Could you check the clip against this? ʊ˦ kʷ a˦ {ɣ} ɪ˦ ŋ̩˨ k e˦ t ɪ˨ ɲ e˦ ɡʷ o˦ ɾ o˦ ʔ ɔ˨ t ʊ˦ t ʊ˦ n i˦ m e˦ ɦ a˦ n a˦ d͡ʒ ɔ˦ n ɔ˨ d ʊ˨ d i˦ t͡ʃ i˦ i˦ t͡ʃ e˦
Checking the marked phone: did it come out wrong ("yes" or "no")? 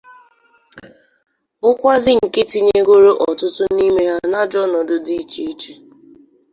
yes